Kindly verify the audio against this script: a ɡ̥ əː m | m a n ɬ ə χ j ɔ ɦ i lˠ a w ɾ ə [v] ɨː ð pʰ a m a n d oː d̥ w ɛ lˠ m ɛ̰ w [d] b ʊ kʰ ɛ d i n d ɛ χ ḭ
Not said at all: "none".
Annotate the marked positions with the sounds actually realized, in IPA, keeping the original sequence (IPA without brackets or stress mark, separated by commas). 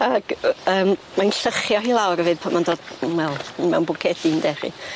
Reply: v, n